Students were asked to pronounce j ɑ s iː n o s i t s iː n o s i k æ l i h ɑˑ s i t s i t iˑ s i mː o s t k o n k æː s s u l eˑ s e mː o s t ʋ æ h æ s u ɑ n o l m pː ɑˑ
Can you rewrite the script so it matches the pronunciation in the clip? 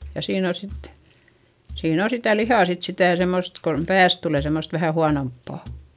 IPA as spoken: j ɑ s iː n o s i t s iː n o s i t æ l i h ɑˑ s i t s i t æˑ s e mː o s t k o n p æː s t u l eˑ s e mː o s t ʋ æ h æ h u ɑ n o m pː ɑˑ